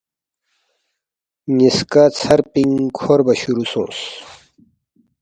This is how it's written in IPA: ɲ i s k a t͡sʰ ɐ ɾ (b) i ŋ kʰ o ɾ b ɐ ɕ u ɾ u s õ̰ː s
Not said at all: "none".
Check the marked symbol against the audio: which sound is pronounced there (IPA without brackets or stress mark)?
p